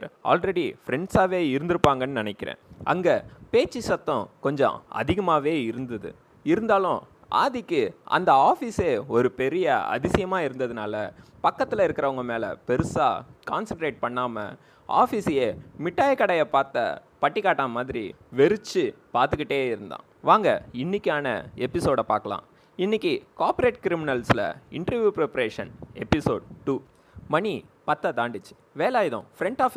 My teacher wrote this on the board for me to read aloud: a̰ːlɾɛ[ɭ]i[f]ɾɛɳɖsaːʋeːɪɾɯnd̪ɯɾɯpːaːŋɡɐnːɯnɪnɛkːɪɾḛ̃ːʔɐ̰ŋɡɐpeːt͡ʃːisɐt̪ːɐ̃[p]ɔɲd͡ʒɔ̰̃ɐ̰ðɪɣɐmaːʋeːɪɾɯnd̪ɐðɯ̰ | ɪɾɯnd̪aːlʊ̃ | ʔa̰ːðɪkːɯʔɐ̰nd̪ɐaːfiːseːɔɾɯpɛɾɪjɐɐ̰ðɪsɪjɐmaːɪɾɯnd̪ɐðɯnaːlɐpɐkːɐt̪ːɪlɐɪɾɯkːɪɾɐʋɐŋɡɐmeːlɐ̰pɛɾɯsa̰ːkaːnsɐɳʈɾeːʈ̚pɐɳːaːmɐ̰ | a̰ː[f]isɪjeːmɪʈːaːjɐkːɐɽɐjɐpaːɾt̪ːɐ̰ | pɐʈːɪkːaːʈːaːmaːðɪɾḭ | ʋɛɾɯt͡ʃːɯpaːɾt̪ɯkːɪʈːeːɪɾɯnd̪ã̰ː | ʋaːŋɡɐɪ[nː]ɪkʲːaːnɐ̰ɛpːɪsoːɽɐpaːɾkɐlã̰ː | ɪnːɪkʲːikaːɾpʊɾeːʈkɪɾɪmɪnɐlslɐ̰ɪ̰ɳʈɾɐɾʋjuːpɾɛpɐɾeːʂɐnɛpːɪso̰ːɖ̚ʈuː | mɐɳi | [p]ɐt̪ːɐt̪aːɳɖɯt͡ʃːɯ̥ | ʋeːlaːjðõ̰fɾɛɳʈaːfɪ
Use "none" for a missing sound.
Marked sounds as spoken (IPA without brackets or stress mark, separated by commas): ɽ, f, k, f, nː, p